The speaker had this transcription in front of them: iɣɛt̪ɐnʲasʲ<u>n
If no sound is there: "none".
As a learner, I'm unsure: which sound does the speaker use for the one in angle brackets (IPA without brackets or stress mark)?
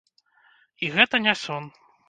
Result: ɔ